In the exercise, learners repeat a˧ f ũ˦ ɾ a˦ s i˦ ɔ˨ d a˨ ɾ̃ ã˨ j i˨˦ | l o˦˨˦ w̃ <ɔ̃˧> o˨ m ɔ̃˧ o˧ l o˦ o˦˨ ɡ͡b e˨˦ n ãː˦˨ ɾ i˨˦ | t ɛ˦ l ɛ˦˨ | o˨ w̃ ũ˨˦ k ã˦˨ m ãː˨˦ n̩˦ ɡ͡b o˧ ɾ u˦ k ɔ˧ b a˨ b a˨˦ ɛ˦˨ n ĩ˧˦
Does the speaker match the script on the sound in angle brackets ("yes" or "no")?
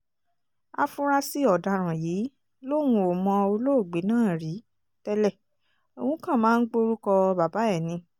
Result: no